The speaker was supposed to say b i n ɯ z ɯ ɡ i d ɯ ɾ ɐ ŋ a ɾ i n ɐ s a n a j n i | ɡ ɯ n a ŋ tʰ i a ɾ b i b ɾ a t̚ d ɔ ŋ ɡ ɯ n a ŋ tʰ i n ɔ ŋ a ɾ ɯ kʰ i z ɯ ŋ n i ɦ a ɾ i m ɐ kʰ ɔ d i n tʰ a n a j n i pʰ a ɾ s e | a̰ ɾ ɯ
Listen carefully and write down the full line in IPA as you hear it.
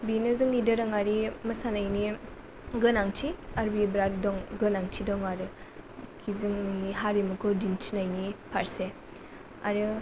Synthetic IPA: b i n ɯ z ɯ ŋ i d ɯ ɾ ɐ ŋ a ɾ i m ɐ s a n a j n i | ɡ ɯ n a ŋ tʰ i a ɾ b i b ɾ a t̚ d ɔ ŋ ɡ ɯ n a ŋ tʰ i d ɔ ŋ a ɾ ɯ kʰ i z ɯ ŋ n i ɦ a ɾ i m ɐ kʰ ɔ d i n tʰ i n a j n i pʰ a ɾ s e | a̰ ɾ ɯ